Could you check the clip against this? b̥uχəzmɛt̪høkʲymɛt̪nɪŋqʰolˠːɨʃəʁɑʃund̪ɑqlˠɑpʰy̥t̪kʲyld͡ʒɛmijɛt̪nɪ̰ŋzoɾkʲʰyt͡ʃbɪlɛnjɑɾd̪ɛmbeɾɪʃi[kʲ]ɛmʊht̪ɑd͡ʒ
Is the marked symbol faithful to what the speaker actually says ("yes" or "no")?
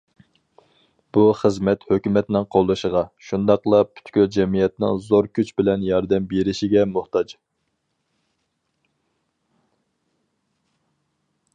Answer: no